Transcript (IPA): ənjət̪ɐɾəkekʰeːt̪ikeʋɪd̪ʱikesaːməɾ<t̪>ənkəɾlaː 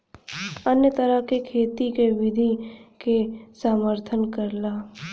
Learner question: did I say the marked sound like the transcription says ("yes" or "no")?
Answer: no